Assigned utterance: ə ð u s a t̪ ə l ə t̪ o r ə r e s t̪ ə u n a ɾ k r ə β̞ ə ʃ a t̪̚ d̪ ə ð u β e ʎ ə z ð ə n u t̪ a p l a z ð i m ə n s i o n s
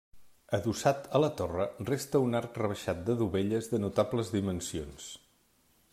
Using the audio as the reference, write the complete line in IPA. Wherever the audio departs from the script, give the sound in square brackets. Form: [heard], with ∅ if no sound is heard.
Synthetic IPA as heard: ə ð u s a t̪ ə l ə t̪ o r ə r e s t̪ ə u n a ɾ k r ə β̞ ə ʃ a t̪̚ d̪ ə ð u β e ʎ ə z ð ə n u t̪ a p l [ə] z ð i m ə n s i o n s